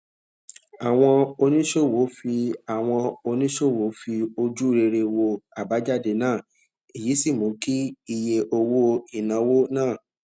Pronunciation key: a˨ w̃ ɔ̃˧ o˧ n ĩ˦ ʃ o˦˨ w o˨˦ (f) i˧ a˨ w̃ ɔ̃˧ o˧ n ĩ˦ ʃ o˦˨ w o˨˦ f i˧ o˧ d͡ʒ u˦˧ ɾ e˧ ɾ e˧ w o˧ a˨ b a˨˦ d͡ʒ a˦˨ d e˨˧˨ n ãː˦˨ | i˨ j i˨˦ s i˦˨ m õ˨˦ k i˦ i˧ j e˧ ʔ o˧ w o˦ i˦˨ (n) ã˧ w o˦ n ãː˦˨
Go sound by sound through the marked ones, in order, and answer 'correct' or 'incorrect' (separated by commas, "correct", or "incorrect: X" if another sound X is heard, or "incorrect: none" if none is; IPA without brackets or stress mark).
correct, correct